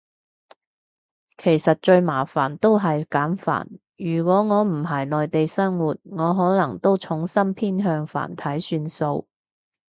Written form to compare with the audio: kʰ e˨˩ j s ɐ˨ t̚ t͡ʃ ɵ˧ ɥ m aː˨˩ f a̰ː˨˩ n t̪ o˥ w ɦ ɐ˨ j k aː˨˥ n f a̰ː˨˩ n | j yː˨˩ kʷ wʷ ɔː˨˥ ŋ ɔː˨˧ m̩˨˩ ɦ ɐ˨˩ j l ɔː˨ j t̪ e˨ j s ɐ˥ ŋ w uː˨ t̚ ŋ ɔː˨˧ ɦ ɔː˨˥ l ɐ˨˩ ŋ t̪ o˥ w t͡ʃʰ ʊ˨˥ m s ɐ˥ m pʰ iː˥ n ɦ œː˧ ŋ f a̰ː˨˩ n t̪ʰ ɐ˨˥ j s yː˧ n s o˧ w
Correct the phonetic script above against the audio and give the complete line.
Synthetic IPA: kʰ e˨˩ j s ɐ˨ t̚ t͡ʃ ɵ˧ ɥ m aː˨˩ f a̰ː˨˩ n t̪ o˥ w ɦ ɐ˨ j k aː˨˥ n f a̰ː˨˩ n | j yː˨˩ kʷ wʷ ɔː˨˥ ŋ ɔː˨˧ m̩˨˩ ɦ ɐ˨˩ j l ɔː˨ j t̪ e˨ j s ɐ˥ ŋ w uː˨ t̚ ŋ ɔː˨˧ ɦ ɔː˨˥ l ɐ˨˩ ŋ t̪ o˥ w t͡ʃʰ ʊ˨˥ ŋ s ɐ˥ m pʰ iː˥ n ɦ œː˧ ŋ f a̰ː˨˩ n t̪ʰ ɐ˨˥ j s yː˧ n s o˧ w

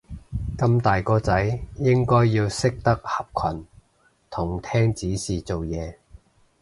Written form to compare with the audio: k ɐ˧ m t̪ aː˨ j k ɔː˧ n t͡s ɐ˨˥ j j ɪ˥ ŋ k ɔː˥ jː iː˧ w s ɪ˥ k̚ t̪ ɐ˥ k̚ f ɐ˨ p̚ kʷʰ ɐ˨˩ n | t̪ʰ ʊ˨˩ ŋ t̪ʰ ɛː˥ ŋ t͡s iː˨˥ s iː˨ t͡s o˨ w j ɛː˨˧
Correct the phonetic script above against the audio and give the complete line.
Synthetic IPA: k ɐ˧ m t̪ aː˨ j k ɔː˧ t͡s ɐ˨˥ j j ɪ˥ ŋ k ɔː˥ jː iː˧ w s ɪ˥ k̚ t̪ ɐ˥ k̚ h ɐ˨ p̚ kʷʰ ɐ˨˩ n | t̪ʰ ʊ˨˩ ŋ t̪ʰ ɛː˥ ŋ t͡s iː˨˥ s iː˨ t͡s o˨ w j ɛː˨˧

